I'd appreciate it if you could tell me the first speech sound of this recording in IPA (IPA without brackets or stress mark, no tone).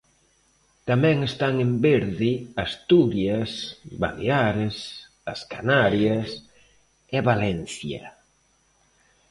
t̪